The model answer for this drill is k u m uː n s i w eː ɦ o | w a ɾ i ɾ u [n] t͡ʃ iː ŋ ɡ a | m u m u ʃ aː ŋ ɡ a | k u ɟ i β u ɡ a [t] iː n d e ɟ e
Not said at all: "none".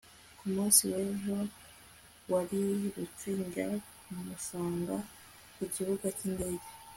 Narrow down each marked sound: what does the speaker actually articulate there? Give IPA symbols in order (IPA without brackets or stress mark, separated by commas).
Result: none, c